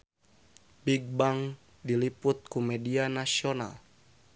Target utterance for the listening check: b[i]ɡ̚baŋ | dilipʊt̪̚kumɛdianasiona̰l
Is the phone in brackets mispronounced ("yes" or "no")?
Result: no